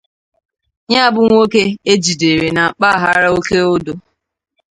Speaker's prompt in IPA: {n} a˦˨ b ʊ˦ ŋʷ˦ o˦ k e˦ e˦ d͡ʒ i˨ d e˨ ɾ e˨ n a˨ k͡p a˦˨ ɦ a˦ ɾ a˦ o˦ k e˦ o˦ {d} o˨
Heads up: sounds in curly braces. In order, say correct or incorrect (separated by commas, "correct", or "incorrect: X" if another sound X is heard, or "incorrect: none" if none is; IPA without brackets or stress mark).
incorrect: ɲ, correct